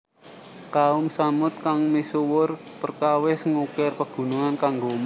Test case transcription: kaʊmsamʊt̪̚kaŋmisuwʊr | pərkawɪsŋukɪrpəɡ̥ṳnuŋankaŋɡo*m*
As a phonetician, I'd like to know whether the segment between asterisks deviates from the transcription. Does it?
no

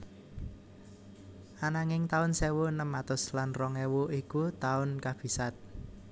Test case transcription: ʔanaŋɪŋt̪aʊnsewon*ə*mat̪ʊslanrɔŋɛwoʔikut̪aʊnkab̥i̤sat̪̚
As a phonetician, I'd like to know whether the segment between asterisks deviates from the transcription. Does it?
no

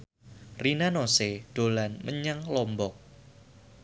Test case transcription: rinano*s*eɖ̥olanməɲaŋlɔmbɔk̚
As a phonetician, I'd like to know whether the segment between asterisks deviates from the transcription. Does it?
no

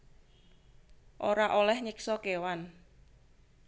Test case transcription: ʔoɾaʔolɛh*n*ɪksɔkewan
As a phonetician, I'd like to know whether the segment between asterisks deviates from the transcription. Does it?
yes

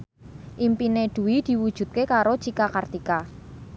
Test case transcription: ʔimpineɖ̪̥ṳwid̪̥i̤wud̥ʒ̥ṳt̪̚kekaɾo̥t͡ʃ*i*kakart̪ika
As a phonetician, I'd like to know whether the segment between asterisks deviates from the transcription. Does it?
no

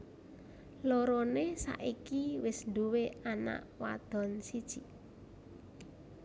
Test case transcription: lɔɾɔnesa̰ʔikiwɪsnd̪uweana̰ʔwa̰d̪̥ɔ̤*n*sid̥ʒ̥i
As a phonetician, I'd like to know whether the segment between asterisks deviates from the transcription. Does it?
no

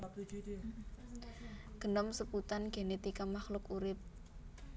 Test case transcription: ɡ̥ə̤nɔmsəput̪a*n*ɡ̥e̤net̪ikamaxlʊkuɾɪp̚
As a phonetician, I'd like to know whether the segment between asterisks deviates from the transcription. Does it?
no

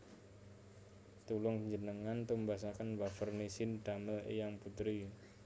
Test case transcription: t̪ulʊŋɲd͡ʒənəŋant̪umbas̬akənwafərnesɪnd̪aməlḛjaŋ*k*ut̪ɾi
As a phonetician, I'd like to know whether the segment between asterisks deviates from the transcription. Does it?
yes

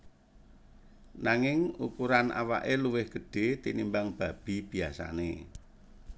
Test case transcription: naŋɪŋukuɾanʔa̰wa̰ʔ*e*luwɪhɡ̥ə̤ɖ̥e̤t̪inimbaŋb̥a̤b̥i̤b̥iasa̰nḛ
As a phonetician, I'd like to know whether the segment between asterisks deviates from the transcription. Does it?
no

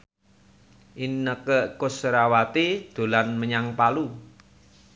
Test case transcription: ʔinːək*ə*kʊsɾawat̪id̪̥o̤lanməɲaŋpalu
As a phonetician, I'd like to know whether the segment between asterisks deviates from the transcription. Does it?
no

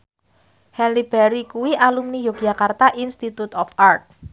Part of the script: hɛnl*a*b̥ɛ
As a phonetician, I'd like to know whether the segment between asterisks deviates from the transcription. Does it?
yes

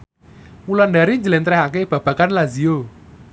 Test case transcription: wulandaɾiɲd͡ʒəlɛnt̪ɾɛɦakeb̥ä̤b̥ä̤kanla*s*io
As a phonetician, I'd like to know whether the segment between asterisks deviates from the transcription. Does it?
yes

